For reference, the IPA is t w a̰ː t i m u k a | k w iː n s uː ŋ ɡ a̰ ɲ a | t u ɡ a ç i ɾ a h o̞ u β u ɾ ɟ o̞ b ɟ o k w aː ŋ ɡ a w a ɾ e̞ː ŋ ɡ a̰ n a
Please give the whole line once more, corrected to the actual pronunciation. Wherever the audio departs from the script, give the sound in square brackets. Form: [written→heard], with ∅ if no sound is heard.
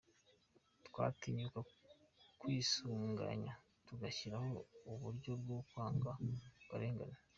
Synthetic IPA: t w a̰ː t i [m→ɲ] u k a | k w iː [n→∅] s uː ŋ ɡ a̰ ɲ a | t u ɡ a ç i ɾ a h o̞ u β u ɾ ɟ o̞ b [ɟ→ɡ] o k w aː ŋ ɡ a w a ɾ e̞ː ŋ ɡ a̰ n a